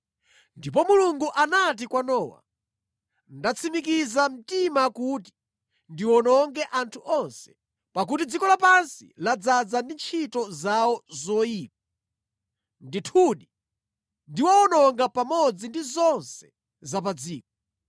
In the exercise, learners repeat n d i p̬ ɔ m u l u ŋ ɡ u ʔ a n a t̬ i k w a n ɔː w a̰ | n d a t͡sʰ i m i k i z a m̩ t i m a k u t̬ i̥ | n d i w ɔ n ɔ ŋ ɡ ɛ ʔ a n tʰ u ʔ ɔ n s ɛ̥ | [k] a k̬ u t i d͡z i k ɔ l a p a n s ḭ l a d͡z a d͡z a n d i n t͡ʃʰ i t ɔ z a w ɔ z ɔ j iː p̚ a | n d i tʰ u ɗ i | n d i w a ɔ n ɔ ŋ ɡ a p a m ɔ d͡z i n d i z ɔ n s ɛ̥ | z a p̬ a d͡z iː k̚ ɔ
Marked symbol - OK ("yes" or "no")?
no